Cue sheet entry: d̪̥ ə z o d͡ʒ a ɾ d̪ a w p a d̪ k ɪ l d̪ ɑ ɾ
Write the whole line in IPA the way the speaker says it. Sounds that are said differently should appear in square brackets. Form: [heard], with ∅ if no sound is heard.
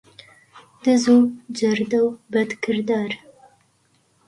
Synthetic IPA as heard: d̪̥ ə z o d͡ʒ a ɾ d̪ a w [b] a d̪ k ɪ [ɾ] d̪ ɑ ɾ